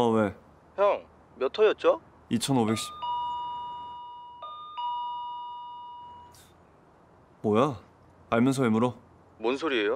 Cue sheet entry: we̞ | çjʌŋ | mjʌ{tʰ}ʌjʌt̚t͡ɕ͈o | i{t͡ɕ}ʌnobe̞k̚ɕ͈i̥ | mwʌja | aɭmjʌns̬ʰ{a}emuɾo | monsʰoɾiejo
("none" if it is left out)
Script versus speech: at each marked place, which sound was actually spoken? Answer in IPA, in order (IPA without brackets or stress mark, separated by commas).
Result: tʰ, t͡ɕʰ, ʌ